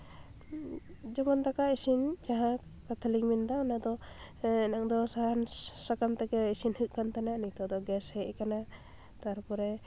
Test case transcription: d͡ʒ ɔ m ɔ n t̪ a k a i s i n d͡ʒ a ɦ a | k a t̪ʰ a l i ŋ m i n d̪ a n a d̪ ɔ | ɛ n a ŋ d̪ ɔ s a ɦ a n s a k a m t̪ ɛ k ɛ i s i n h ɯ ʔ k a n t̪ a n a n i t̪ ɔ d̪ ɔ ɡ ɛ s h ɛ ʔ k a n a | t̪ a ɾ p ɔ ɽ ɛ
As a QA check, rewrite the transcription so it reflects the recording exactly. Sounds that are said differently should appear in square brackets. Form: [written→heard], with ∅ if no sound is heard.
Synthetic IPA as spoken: d͡ʒ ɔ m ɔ n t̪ a k a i s i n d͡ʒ a ɦ a | k a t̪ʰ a l i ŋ m i n d̪ a n a d̪ ɔ | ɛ n a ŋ d̪ ɔ s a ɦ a n s a k a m t̪ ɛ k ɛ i s i n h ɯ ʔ k a n t̪ a n a n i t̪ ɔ d̪ ɔ ɡ ɛ s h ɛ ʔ k a n a | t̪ a ɾ p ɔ [ɽ→ɾ] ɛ